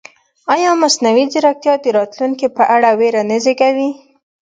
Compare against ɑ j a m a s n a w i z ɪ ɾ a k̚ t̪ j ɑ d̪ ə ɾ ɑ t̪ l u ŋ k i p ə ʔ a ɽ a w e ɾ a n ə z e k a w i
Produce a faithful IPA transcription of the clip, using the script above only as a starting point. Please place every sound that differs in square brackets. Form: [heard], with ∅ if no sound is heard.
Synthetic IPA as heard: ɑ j [ɑ] m a s n a w i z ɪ ɾ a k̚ t̪ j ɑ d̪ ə ɾ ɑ t̪ l u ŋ k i p ə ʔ a ɽ a w e ɾ a n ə z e k a w i